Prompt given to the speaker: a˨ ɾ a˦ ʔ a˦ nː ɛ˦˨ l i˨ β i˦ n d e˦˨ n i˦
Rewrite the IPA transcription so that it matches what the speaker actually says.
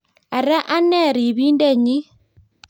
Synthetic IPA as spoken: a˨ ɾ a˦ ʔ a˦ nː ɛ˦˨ ɾ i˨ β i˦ n d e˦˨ ɲ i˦

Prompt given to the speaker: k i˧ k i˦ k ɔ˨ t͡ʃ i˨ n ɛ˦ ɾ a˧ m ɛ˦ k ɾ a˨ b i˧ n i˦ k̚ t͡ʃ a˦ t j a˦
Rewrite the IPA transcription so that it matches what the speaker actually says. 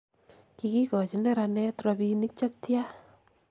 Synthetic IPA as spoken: k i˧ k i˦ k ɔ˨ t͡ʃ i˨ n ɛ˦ ɾ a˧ n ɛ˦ t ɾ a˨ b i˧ n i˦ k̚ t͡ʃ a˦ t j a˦

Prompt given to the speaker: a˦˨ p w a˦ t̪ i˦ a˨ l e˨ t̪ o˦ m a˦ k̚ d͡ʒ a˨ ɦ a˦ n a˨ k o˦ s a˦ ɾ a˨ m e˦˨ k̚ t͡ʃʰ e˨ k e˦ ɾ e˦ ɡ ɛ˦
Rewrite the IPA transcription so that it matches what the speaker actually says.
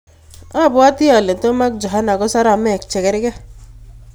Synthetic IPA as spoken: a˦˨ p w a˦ t̪ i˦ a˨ l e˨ t̪ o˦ m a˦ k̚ d͡ʒ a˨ ɦ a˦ n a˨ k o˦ s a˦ ɾ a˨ m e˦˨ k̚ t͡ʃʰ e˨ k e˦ ɾ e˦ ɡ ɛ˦

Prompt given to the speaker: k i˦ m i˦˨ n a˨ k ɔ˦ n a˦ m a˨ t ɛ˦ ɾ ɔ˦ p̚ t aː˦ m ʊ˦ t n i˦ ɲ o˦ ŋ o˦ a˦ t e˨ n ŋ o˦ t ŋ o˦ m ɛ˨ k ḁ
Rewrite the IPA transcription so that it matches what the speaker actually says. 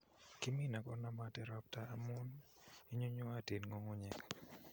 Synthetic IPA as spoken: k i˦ m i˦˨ n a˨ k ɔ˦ n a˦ m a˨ t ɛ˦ ɾ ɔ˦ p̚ t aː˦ m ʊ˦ n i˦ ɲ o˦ ɲ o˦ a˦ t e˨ n ŋ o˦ ŋ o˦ ɲ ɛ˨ k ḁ

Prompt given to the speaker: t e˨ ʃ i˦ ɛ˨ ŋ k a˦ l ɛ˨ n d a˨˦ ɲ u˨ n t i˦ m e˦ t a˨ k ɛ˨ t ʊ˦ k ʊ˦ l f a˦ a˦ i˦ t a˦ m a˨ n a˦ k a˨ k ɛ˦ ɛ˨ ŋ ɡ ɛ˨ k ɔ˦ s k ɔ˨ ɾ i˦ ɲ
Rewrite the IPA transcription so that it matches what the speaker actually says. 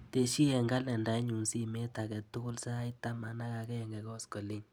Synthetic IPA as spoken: t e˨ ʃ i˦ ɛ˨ ŋ ɡ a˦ l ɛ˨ n d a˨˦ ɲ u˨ n s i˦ m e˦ t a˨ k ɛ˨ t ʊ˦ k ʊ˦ l s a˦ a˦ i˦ t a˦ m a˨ n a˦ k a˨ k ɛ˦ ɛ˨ ŋ ɡ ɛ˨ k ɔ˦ s k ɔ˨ l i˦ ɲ

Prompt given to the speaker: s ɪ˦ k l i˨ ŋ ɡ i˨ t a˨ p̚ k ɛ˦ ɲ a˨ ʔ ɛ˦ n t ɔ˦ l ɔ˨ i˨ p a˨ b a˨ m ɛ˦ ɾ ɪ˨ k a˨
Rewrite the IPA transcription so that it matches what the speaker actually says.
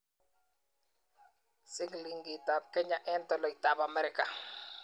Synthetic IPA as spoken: s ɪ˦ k l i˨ ŋ ɡ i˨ t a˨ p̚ k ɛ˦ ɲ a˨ ʔ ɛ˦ n t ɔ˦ l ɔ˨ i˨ t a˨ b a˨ m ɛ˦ ɾ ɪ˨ k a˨

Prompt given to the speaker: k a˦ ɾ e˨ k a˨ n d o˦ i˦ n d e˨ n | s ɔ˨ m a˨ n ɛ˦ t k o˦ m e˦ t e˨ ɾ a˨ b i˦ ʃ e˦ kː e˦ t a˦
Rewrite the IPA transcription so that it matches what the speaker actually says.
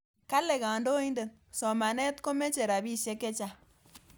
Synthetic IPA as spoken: k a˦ l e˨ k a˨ n d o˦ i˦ n d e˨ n | s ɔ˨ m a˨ n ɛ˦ t k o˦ m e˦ t͡ʃ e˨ ɾ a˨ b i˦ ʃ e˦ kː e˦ t͡ʃ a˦

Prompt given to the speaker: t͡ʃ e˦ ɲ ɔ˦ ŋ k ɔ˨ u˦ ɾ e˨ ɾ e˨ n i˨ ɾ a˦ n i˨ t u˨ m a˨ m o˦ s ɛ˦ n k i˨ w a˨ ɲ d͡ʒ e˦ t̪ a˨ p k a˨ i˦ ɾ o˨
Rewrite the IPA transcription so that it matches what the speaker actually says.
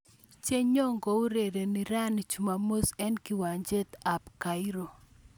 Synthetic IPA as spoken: t͡ʃ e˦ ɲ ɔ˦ ŋ ɡ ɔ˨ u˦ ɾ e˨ ɾ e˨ n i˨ ɾ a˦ n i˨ t͡ʃ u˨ m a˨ m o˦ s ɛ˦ n k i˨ w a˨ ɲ d͡ʒ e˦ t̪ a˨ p k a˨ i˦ ɾ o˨

